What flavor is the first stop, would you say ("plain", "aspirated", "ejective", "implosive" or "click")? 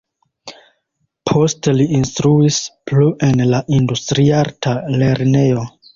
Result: aspirated